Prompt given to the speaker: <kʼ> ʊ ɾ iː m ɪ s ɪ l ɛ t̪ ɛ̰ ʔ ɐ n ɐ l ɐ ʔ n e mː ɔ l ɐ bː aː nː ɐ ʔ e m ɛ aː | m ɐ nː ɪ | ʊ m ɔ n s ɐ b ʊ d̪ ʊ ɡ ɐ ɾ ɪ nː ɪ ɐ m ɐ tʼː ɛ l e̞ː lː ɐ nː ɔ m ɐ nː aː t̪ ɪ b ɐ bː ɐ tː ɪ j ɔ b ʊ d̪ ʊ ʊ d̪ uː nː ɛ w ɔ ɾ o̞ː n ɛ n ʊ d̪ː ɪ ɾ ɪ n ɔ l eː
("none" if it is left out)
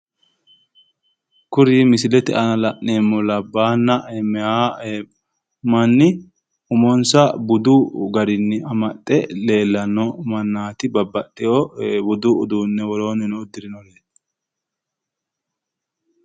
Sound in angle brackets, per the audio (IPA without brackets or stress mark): k